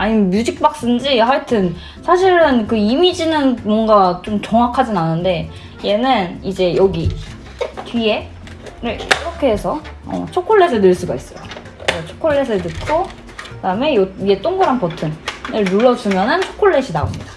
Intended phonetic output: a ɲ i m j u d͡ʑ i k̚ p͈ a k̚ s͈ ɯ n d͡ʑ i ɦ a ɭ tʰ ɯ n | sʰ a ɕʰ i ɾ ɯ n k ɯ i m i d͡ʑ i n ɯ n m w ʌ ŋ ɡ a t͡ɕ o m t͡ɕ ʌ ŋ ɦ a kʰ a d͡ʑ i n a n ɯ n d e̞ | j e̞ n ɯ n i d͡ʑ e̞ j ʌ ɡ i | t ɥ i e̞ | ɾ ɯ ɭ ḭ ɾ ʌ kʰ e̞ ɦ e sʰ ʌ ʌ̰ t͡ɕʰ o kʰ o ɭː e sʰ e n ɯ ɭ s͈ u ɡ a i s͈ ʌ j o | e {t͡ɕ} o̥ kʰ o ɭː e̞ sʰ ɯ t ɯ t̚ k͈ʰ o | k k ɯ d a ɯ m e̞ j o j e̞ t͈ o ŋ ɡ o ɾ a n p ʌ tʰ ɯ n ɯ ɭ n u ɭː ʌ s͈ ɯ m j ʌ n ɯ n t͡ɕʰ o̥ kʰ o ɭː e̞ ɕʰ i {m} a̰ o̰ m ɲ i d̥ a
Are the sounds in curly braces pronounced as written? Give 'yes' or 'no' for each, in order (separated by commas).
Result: no, no